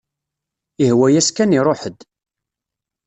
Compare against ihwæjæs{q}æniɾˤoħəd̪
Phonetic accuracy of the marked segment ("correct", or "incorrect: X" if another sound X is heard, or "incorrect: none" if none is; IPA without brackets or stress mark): incorrect: k